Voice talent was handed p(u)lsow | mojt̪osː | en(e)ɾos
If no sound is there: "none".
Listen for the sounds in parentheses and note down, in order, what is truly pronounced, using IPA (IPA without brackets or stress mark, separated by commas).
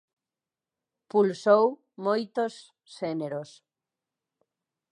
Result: u, e